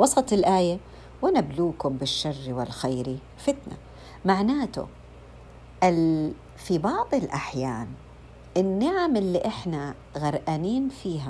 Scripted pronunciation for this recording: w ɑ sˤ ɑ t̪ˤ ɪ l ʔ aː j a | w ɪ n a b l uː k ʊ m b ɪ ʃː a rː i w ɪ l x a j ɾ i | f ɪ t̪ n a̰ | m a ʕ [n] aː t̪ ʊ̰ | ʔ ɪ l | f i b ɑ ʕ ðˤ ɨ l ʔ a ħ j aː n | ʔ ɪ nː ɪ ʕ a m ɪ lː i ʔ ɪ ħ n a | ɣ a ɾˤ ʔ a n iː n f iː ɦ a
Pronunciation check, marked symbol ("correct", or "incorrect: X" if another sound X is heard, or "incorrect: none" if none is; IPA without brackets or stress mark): correct